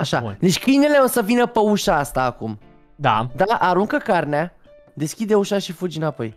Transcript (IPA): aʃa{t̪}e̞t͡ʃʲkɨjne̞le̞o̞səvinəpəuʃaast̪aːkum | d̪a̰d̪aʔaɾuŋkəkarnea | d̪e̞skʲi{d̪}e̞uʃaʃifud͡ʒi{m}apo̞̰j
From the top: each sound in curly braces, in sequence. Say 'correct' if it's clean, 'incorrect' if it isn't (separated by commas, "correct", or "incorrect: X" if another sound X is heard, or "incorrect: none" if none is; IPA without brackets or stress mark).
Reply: incorrect: d̪, correct, incorrect: n